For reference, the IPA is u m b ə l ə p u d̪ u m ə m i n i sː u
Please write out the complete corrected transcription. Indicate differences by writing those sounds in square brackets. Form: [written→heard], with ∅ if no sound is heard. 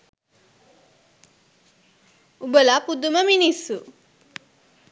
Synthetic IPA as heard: u [m→∅] b ə l [ə→a] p u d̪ u m ə m i n i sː u